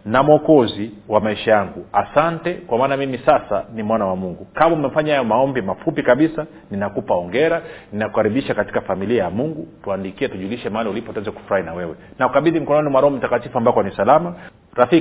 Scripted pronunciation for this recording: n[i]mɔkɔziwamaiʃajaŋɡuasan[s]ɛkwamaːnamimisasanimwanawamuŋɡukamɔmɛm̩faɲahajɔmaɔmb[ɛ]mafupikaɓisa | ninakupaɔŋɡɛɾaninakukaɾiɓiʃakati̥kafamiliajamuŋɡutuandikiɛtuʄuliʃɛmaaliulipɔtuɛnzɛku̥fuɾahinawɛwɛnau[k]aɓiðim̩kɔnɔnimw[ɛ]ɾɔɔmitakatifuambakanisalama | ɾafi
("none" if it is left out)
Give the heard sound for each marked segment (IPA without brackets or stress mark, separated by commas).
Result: a, t, i, k, a